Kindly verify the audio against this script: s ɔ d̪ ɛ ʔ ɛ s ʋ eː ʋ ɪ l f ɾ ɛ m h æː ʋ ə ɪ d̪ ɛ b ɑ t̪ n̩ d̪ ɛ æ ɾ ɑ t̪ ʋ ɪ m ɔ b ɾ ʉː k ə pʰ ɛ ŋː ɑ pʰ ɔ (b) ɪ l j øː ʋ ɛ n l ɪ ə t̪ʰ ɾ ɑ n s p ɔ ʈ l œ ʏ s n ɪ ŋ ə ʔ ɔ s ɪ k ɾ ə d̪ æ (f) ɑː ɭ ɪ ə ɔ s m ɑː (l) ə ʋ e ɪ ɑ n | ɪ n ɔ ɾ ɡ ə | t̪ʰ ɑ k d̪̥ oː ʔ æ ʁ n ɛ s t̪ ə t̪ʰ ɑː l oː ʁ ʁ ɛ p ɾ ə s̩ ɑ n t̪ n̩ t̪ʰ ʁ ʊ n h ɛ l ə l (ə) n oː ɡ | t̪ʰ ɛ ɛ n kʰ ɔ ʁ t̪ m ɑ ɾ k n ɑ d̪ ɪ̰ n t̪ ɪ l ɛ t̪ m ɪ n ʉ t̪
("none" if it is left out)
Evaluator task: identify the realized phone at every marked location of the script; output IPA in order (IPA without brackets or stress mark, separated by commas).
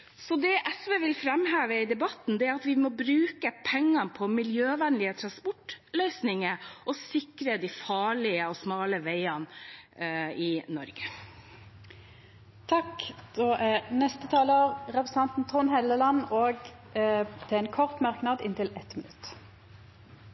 m, f, l, ɑ